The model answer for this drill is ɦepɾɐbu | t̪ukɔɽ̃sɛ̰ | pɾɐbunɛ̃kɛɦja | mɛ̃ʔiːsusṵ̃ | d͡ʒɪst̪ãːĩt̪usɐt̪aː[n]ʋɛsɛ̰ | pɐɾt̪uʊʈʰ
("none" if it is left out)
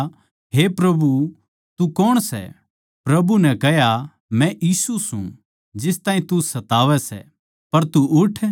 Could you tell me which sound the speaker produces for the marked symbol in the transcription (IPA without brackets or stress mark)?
none